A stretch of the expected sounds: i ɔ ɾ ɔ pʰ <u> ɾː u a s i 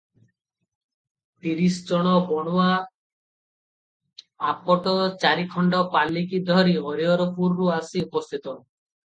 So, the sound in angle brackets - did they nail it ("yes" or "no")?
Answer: yes